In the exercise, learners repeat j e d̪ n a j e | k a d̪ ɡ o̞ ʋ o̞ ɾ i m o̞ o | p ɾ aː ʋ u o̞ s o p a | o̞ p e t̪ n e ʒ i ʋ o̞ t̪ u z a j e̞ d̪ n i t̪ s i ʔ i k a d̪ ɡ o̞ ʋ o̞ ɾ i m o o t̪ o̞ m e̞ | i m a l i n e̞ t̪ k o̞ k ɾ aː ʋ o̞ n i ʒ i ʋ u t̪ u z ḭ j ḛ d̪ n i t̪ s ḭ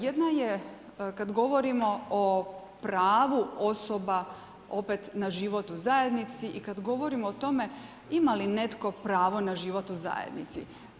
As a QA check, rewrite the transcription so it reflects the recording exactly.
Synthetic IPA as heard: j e d̪ n a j e | k a d̪ ɡ o̞ ʋ o̞ ɾ i m o̞ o | p ɾ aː ʋ u o̞ s o b a | o̞ p e t̪ n a ʒ i ʋ o̞ t̪ u z a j e̞ d̪ n i t̪ s i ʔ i k a d̪ ɡ o̞ ʋ o̞ ɾ i m o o t̪ o̞ m e̞ | i m a l i n e̞ t̪ k o̞ p ɾ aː ʋ o̞ n a ʒ i ʋ o t̪ u z a̰ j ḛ d̪ n i t̪ s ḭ

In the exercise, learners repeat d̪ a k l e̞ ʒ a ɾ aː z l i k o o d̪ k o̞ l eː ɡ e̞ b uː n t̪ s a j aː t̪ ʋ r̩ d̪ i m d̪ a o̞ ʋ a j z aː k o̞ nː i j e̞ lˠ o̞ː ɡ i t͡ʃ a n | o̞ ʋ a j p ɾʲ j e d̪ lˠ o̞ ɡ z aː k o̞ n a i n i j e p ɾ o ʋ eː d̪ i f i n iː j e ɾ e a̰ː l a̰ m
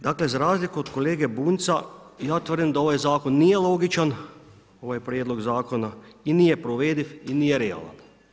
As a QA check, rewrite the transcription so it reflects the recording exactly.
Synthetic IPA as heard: d̪ a k l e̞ z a ɾ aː z l i k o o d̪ k o̞ l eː ɡ e̞ b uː n t̪ s a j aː t̪ ʋ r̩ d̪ i m d̪ a o̞ ʋ a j z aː k o̞ nː i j e̞ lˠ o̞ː ɡ i t͡ʃ a n | o̞ ʋ a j p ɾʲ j e d̪ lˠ o̞ ɡ z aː k o̞ n a i n i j e p ɾ o ʋ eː d̪ i f i n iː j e ɾ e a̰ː l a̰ n

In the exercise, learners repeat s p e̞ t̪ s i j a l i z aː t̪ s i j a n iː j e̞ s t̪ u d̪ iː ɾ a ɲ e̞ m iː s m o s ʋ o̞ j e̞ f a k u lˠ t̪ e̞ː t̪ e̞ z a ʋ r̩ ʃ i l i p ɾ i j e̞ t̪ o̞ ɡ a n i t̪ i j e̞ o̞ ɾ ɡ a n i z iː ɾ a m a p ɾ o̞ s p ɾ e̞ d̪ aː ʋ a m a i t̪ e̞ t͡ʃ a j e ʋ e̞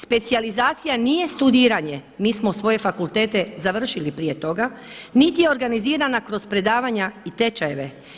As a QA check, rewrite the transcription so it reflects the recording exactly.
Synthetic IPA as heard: s p e̞ t̪ s i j a l i z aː t̪ s i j a n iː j e̞ s t̪ u d̪ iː ɾ a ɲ e̞ m iː s m o s ʋ o̞ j e̞ f a k u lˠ t̪ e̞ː t̪ e̞ z a ʋ r̩ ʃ i l i p ɾ i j e̞ t̪ o̞ ɡ a n i t̪ i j e̞ o̞ ɾ ɡ a n i z iː ɾ a n a k ɾ o̞ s p ɾ e̞ d̪ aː ʋ a ɲ a i t̪ e̞ t͡ʃ a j e ʋ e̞

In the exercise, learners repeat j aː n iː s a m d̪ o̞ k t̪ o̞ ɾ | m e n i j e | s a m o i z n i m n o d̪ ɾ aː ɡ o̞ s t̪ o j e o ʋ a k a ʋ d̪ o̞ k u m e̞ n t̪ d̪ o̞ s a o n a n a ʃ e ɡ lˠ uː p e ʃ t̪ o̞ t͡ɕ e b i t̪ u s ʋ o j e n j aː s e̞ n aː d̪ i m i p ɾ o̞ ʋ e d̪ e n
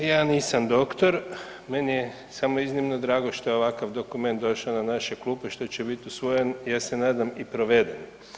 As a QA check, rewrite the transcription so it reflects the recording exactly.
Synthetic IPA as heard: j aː n iː s a m d̪ o̞ k t̪ o̞ ɾ | m e n i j e | s a m o i z n i m n o d̪ ɾ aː ɡ o̞ ʃ t̪ o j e o ʋ a k a ʋ d̪ o̞ k u m e̞ n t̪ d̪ o̞ ʃ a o n a n a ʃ e k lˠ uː p e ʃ t̪ o̞ t͡ɕ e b i t̪ u s ʋ o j e n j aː s e̞ n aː d̪ a m i p ɾ o̞ ʋ e d̪ e n

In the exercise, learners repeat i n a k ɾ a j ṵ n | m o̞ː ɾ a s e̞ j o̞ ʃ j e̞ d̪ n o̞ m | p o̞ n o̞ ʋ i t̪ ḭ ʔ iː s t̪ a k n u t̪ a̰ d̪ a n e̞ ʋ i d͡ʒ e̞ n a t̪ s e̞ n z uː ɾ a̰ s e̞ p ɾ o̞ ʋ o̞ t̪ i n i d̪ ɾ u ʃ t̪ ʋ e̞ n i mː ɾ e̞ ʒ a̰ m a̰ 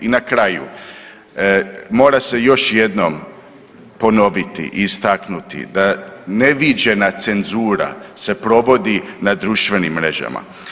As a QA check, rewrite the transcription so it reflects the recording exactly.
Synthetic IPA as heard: i n a k ɾ a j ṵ | m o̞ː ɾ a s e̞ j o̞ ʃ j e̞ d̪ n o̞ m | p o̞ n o̞ ʋ i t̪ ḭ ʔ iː s t̪ a k n u t̪ ḭ d̪ a n e̞ ʋ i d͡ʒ e̞ n a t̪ s e̞ n z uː ɾ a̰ s e̞ p ɾ o̞ ʋ o̞ d̪ i n a d̪ ɾ u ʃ t̪ ʋ e̞ n i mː ɾ e̞ ʒ a̰ m a̰

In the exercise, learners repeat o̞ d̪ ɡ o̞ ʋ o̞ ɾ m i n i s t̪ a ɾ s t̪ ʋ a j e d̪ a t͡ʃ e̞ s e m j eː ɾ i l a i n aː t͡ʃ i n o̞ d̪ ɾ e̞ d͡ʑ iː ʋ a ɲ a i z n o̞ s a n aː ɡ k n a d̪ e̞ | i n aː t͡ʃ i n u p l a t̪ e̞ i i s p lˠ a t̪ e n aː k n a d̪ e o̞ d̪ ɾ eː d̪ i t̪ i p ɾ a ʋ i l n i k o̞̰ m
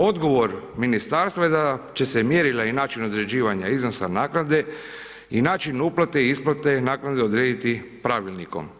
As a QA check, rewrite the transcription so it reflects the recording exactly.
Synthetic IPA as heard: o̞ d̪ ɡ o̞ ʋ o̞ ɾ m i n i s t̪ a ɾ s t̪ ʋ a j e d̪ a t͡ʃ e̞ s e m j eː ɾ i l a i n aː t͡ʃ i n o̞ d̪ ɾ e̞ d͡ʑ iː ʋ a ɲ a i z n o̞ s a n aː k n a d̪ e̞ | i n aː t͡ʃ i n u p l a t̪ e̞ i i s p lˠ a t̪ e n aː k n a d̪ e o̞ d̪ ɾ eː d̪ i t̪ i p ɾ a ʋ i l n i k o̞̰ m

